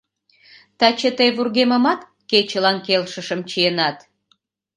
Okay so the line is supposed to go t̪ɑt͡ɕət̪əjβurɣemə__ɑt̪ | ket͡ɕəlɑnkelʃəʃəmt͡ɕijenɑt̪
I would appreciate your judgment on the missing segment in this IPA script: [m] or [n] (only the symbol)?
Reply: m